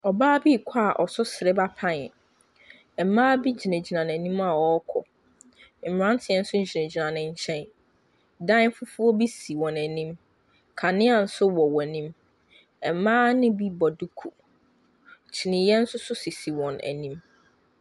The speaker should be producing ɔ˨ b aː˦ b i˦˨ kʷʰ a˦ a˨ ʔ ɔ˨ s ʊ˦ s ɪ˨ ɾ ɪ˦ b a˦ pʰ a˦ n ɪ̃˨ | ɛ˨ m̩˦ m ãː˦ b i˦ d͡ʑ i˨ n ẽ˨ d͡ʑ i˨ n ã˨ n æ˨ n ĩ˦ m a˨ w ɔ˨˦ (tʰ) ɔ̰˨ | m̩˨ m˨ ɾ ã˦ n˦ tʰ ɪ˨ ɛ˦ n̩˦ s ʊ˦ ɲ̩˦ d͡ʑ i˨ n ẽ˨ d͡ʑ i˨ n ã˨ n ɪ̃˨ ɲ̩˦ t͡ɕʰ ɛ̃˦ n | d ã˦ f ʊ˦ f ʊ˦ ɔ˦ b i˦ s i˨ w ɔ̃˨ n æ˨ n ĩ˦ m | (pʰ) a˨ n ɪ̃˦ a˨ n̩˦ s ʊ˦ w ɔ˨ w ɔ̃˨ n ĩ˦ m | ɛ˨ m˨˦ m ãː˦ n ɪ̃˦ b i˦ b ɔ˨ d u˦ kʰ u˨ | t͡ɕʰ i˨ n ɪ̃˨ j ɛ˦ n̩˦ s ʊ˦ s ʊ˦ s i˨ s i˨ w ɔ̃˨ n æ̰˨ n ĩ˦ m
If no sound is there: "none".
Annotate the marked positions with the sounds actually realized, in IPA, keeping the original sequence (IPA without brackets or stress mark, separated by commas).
kʰ, kʰ